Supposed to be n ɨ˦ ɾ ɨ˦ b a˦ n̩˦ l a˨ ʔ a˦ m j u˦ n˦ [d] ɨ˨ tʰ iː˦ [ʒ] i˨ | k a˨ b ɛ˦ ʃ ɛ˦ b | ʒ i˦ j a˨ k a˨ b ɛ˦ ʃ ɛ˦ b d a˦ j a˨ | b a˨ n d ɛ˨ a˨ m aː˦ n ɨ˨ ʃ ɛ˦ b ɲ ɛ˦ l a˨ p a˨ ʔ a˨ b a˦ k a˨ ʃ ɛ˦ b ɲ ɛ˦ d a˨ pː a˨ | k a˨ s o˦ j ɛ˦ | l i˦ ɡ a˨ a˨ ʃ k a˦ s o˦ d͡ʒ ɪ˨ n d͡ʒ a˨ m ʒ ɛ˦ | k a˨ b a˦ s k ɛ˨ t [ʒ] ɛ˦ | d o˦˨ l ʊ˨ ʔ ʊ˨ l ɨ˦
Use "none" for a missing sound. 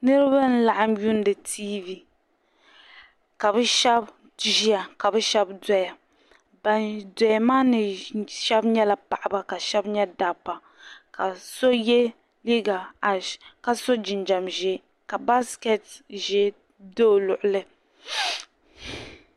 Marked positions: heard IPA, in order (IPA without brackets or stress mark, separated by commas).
d, v, ʒ